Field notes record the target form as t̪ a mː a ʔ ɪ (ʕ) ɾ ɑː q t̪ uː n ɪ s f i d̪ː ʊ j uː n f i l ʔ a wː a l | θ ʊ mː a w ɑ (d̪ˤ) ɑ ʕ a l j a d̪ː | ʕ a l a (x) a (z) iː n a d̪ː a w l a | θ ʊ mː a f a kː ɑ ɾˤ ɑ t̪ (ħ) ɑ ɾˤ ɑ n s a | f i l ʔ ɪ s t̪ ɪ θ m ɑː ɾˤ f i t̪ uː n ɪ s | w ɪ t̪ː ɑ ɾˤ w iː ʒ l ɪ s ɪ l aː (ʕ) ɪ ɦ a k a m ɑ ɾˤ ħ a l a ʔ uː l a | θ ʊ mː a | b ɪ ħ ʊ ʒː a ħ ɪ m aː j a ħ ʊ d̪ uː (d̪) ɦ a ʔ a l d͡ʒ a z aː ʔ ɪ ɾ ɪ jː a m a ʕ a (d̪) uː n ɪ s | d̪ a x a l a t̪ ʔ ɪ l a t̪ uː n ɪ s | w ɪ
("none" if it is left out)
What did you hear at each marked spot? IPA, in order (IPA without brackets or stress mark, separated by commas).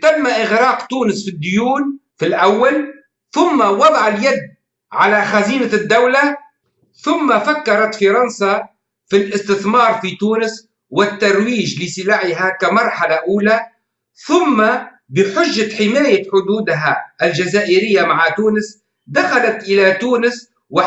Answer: ɣ, d̪ˤ, x, z, f, ʕ, d̪, t̪